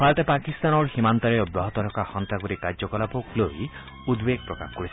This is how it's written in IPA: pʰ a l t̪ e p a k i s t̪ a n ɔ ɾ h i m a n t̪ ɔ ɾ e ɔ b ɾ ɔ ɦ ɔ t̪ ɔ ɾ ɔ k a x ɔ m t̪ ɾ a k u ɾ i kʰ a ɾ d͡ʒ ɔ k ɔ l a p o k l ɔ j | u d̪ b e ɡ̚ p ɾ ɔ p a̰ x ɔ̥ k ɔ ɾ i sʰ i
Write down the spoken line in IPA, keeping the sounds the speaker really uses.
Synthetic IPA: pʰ a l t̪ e p a k i s t̪ a n ɔ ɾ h i m a n t̪ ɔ ɾ e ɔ b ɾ ɔ ɦ ɔ t̪ ɔ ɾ ɔ k a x ɔ n t̪ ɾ a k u ɾ i k a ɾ d͡ʒ ɔ k ɔ l a p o k l o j | u d̪ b e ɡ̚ p ɾ ɔ k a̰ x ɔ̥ k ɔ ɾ i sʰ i